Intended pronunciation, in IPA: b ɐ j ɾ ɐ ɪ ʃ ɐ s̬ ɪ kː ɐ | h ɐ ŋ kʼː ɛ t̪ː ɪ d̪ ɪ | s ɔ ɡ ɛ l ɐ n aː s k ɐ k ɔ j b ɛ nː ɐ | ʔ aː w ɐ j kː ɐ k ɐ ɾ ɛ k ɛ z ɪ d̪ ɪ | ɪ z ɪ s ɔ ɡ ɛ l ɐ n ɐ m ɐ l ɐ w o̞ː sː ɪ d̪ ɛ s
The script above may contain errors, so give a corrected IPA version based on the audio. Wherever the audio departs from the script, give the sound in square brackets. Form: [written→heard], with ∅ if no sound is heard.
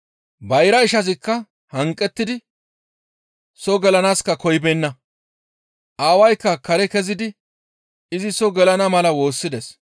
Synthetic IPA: b ɐ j ɾ ɐ ɪ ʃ ɐ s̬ ɪ kː ɐ | h ɐ ŋ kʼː ɛ t̪ː ɪ d̪ ɪ | s ɔ ɡ ɛ l ɐ n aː s k ɐ k ɔ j b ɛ nː ɐ | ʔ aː w ɐ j kː ɐ k ɐ ɾ ɛ k ɛ z ɪ d̪ ɪ | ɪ z ɪ s ɔ ɡ ɛ l ɐ n ɐ m ɐ l ɐ w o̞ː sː ɪ d̪ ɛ s